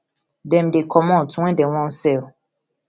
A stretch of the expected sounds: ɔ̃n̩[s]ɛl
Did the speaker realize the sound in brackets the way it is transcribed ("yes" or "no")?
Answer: yes